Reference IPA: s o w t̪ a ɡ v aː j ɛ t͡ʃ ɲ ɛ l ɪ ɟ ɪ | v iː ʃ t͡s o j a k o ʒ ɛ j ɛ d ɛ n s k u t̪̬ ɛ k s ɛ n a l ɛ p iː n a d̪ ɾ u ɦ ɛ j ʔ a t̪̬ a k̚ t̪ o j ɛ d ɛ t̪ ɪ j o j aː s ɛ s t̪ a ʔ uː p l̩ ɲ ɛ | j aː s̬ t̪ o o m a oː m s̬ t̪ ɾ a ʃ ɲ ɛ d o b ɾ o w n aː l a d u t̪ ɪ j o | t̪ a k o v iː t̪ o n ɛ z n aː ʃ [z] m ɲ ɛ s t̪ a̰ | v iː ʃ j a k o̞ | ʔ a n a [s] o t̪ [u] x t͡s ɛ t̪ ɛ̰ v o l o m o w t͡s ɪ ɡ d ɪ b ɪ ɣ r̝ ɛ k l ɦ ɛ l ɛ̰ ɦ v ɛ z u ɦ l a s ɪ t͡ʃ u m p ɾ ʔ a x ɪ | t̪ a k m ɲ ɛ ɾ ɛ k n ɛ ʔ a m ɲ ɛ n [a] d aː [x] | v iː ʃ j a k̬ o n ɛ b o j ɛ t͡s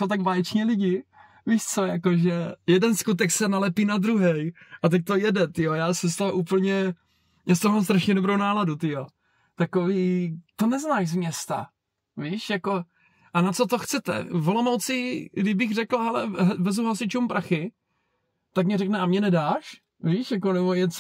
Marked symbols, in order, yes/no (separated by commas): yes, no, no, no, no